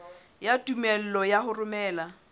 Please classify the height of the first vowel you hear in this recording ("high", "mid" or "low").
low